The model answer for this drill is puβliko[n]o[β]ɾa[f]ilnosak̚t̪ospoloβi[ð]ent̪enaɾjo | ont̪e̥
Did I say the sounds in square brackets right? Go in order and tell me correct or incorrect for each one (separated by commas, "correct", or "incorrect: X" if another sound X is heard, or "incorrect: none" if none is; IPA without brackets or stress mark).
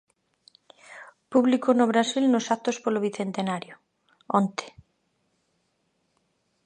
correct, correct, incorrect: s, incorrect: θ